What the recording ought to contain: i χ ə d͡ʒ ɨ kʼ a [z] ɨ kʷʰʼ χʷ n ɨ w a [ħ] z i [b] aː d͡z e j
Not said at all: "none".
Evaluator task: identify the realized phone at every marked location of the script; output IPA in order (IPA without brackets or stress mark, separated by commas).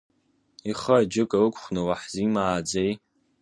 none, ħ, m